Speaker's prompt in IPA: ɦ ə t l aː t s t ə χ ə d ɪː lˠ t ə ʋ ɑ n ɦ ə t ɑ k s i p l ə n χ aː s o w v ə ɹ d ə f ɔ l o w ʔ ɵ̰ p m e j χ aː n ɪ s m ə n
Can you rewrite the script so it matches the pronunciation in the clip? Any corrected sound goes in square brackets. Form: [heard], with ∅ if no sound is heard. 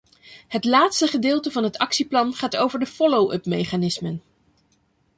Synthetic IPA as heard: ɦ ə t l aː t s t ə χ ə d ɪː lˠ t ə [v] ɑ n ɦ ə t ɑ k s i p l [ɑ] n χ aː [t] o w v ə ɹ d ə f ɔ l o w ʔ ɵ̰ p m e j χ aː n ɪ s m ə n